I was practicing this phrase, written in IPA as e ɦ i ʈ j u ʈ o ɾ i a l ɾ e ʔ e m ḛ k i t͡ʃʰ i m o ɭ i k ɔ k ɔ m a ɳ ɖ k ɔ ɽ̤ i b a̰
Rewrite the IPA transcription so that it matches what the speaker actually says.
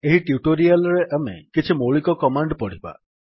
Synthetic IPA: e ɦ i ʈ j u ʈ o ɾ i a l ɾ e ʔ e m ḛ k i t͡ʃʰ i m o ɭ i k ɔ k ɔ m a ɳ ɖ p ɔ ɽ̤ i b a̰